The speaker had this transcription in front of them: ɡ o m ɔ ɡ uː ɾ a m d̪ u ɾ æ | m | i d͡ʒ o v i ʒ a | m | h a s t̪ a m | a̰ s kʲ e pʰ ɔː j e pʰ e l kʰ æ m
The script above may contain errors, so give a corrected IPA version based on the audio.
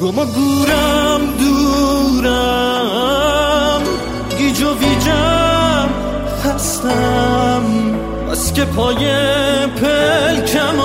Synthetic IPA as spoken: ɡ o m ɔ ɡ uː ɾ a m d̪ u ɾ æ | m | i d͡ʒ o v i d͡ʒ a | m | h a s t̪ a m | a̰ s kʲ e pʰ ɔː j e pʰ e l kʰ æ m